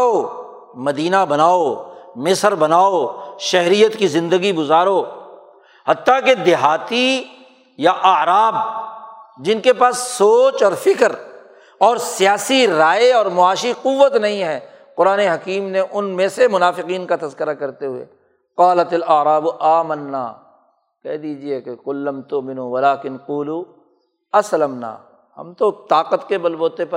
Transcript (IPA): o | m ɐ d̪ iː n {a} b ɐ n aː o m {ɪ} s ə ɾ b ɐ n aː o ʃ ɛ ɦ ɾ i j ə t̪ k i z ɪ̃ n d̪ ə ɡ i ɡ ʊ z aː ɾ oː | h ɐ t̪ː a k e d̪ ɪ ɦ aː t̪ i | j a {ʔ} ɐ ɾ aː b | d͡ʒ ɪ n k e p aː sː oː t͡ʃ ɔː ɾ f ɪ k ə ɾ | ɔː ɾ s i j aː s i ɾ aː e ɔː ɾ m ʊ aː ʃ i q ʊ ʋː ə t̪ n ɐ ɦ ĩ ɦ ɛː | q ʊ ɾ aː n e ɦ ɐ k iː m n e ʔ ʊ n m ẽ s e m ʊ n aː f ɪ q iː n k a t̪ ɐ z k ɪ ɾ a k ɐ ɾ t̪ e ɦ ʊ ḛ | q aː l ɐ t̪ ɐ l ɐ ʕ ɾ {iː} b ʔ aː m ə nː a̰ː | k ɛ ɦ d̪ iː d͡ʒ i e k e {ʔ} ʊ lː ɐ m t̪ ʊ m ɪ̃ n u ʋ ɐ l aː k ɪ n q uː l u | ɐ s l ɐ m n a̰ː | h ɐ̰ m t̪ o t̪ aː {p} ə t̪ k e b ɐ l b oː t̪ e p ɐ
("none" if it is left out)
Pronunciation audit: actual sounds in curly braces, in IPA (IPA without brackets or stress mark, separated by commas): a, ɪ, ʔ, aː, q, q